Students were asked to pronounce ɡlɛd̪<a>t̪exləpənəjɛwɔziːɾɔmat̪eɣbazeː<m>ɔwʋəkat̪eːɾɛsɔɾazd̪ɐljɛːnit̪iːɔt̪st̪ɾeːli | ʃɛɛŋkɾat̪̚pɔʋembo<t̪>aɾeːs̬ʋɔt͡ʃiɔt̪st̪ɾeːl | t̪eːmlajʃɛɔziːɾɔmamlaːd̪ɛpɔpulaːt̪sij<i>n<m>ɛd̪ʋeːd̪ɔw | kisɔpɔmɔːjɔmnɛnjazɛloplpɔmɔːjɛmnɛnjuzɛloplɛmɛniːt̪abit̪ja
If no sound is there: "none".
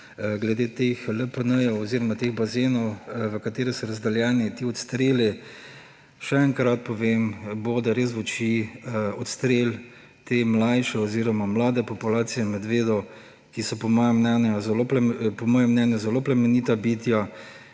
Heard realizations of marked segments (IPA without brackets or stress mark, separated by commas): e, n, d̪, ɛ, m